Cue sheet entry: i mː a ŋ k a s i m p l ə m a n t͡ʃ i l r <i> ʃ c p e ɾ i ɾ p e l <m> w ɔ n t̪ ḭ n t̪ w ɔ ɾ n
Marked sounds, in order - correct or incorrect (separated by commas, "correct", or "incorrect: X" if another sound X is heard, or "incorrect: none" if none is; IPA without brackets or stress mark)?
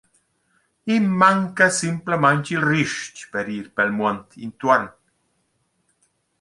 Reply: correct, correct